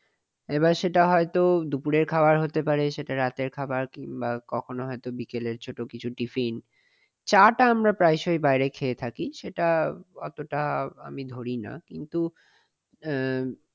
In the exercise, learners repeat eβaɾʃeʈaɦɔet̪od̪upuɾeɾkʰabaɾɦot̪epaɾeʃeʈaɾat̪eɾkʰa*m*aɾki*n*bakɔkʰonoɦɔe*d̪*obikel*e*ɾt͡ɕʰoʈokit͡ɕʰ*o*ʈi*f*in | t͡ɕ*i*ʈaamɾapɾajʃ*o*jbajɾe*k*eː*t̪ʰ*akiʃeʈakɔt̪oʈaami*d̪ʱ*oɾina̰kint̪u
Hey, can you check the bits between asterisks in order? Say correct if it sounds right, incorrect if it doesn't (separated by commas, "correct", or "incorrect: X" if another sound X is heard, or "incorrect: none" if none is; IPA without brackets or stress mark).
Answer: incorrect: b, incorrect: ŋ, incorrect: t̪, correct, incorrect: u, correct, incorrect: a, correct, incorrect: kʰ, correct, correct